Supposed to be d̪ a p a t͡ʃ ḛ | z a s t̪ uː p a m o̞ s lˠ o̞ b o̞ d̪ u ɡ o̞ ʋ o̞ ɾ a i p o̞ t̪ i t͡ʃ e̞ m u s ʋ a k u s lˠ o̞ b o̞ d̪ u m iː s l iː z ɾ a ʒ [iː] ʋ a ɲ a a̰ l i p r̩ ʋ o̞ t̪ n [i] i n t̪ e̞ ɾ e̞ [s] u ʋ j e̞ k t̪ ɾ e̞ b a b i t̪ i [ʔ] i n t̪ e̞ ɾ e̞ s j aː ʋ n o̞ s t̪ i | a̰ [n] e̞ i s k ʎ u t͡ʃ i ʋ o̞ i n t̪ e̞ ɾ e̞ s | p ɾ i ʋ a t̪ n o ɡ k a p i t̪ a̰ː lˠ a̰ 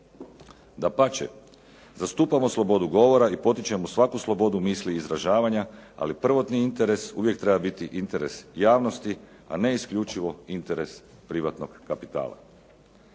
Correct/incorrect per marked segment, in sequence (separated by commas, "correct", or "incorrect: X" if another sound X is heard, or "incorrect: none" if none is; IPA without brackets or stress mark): incorrect: aː, correct, correct, correct, correct